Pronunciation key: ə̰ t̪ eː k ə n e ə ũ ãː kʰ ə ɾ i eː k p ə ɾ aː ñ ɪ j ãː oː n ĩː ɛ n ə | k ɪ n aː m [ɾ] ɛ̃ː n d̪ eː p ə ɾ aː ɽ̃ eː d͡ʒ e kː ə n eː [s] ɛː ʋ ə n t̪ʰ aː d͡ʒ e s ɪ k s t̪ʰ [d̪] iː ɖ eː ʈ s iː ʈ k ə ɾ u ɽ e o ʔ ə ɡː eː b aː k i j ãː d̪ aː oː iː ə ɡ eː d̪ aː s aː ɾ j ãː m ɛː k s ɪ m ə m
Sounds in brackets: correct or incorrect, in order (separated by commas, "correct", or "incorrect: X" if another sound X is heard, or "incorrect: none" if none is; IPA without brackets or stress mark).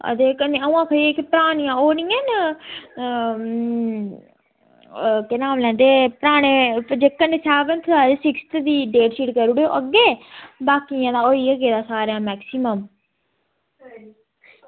incorrect: l, correct, correct